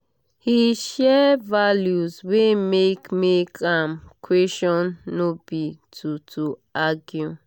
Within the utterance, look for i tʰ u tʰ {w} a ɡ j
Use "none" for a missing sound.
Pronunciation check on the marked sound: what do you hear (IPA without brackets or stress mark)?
u